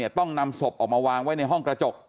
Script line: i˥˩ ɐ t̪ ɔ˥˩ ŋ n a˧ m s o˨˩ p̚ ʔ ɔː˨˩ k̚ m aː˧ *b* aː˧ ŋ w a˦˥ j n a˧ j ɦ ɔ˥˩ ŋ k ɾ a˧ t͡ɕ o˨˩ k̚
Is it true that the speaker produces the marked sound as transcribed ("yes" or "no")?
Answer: no